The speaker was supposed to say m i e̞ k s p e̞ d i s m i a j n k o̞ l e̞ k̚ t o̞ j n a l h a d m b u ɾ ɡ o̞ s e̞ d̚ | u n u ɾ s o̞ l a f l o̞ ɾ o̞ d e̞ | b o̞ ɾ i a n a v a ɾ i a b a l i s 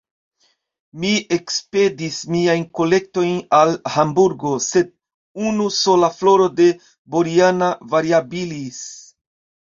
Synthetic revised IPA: m i e̞ k s p e̞ d i s m i a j n k o̞ l e̞ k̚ t o̞ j n a l h a m b u ɾ ɡ o̞ s e̞ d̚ | u n u s o̞ l a f l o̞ ɾ o̞ d e̞ | b o̞ ɾ i a n a v a ɾ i a b i l i s